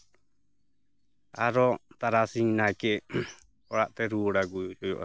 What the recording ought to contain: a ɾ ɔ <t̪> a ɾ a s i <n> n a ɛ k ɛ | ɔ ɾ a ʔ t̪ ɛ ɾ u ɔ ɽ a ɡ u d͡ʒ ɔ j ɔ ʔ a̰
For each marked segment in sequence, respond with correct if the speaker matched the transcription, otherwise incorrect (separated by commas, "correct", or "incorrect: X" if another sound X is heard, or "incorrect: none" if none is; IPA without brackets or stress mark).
correct, incorrect: ŋ